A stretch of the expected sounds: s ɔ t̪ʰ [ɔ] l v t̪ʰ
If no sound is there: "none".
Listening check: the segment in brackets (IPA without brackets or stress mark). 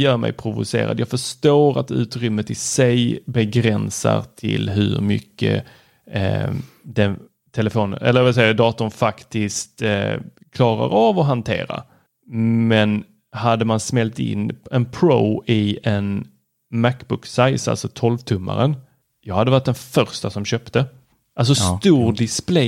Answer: ɔ